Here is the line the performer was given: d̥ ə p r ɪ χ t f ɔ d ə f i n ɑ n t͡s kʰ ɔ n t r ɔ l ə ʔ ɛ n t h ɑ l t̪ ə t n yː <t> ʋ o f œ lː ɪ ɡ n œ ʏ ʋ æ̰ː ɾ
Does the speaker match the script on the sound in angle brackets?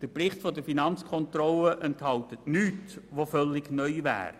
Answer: yes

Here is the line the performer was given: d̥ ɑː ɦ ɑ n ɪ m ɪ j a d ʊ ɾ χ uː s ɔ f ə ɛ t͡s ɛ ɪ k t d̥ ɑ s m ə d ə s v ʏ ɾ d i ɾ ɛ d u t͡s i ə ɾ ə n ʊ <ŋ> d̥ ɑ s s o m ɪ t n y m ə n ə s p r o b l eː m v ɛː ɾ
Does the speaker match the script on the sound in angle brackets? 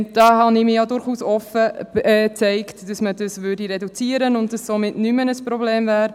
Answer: no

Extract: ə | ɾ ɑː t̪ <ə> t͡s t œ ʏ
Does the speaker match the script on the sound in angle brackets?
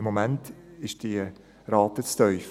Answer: yes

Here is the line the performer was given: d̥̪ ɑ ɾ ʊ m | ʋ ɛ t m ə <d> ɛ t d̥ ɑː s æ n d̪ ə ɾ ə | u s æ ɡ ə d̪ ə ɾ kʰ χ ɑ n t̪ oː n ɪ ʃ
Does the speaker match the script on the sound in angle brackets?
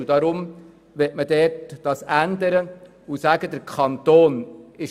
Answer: yes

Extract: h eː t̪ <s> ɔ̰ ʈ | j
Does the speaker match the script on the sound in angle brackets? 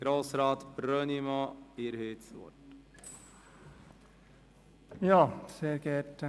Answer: yes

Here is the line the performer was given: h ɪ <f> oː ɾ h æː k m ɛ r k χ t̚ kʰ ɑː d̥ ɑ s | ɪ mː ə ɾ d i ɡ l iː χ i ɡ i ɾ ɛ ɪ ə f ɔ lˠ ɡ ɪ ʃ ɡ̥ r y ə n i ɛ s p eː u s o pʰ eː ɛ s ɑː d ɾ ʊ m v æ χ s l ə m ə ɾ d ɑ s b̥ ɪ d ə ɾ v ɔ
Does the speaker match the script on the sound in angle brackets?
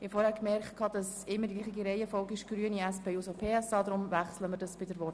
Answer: yes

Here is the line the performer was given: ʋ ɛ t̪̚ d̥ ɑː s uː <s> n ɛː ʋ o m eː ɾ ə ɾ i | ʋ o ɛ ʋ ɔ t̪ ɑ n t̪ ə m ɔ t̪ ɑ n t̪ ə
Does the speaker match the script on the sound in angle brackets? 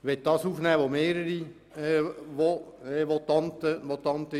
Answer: no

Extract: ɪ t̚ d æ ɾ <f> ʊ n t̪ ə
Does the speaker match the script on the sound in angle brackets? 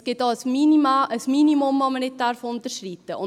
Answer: yes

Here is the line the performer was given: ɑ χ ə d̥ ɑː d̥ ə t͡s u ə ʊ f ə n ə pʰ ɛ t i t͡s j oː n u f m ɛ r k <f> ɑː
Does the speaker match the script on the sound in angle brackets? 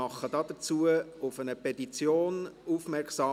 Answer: no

